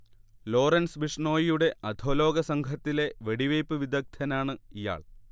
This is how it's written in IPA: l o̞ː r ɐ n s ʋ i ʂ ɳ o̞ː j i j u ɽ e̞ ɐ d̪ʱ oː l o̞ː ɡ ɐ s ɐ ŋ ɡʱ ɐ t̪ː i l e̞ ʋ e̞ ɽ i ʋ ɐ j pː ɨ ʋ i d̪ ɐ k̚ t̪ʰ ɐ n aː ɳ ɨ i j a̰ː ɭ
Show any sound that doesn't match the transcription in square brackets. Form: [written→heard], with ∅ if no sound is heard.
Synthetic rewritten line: l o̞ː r ɐ n s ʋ i ʂ ɳ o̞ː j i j u ɽ e̞ ɐ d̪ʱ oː l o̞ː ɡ ɐ s ɐ ŋ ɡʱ ɐ t̪ː i l e̞ ʋ e̞ ɽ i ʋ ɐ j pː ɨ ʋ i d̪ ɐ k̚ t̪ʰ ɐ n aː ɳ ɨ i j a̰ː ɭ